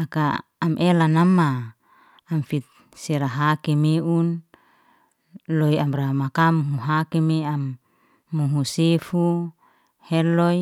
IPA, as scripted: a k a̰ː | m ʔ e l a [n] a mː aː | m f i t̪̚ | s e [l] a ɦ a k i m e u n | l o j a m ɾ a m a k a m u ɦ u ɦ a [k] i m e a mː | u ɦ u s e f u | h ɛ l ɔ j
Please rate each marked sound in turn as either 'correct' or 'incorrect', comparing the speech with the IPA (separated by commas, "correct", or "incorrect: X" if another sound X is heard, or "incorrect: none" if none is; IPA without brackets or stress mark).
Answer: correct, incorrect: ɾ, correct